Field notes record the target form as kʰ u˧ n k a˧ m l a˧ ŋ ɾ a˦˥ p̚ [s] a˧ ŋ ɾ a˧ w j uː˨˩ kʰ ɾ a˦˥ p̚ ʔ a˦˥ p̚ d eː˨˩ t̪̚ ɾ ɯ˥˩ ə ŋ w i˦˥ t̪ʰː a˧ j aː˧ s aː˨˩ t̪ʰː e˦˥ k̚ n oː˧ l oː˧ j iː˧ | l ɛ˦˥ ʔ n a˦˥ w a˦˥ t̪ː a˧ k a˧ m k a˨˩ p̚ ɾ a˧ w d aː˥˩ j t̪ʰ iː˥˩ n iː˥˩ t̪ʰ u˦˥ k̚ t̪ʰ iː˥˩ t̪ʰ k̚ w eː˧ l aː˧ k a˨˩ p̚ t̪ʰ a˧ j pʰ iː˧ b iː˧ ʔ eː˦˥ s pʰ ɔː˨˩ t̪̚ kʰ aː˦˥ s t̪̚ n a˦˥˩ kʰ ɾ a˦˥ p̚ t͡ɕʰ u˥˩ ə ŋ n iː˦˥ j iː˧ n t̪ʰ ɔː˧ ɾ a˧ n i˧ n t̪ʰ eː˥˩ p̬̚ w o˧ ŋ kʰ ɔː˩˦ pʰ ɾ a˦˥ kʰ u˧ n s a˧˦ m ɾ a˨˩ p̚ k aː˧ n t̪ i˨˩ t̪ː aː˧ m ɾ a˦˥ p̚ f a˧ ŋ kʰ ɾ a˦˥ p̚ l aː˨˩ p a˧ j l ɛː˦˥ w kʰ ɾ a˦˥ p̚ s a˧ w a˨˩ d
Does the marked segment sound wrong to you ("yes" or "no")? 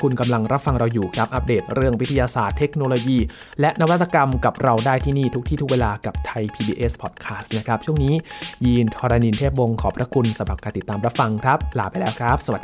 yes